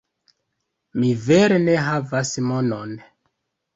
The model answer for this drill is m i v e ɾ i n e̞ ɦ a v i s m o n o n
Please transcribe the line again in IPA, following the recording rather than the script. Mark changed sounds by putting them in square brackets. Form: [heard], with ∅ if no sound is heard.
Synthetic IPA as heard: m i v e ɾ [e] n e̞ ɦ a v [a] s m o n o n